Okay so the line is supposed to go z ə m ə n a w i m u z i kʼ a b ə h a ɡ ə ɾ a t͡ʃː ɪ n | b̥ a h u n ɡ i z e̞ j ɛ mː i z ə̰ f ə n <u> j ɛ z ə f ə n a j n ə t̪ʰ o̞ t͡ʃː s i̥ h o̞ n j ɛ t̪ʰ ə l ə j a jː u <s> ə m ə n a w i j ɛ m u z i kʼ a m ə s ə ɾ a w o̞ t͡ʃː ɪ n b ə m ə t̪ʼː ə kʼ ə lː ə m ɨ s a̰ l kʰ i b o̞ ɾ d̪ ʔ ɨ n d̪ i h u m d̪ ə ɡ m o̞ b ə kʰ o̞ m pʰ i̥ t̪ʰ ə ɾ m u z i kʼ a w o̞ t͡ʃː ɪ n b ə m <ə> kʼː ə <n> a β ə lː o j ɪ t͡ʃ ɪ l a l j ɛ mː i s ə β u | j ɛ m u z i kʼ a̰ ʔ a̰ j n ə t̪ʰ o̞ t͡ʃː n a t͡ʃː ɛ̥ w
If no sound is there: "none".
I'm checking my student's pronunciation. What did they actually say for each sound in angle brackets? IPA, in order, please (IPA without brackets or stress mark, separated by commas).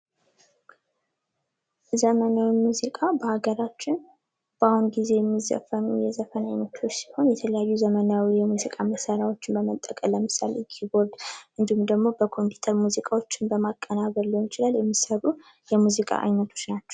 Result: u, z, a, n